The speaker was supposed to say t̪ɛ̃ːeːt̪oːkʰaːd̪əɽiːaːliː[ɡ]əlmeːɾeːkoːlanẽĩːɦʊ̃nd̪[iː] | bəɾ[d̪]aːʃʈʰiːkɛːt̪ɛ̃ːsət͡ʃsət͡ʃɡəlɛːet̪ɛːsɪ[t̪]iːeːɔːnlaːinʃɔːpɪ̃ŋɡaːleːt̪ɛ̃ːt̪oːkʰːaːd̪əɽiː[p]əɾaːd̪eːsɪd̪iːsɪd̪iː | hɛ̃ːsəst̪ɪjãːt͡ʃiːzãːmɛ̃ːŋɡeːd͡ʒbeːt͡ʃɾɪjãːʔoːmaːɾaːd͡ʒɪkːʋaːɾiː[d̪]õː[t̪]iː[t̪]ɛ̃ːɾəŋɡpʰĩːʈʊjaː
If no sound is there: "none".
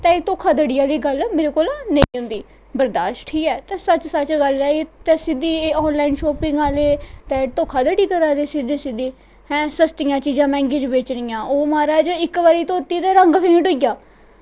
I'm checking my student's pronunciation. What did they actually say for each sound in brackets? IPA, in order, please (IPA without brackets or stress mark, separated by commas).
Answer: ɡ, iː, d̪, d̪, k, t̪, t̪, t̪